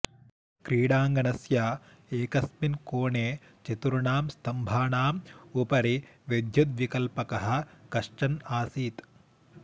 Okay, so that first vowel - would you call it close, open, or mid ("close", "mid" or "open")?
close